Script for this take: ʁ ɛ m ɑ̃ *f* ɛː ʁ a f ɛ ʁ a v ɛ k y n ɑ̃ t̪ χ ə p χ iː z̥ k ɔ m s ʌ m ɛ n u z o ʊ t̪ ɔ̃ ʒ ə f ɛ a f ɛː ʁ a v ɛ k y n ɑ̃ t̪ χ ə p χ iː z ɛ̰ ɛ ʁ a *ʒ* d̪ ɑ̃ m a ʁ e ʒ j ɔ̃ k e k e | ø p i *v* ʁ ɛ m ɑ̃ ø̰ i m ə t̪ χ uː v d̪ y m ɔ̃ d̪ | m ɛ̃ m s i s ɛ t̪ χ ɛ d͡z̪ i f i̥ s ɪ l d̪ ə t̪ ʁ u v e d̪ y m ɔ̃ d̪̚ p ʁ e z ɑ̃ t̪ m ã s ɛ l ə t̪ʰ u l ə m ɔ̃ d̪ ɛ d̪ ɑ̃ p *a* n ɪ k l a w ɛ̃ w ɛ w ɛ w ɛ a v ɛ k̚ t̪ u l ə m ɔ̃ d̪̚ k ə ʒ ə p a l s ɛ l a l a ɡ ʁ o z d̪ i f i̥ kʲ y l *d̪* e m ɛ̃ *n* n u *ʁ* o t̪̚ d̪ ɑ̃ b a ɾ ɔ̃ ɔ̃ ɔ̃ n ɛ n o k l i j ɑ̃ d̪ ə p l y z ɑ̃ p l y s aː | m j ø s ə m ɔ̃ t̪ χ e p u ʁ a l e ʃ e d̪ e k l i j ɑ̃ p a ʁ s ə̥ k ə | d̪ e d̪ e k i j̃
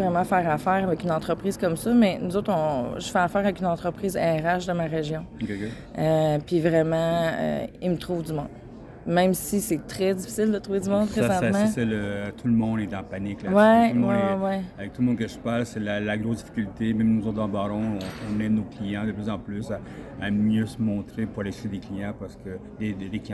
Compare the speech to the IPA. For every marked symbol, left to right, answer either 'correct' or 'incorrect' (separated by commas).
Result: correct, incorrect, correct, correct, incorrect, incorrect, incorrect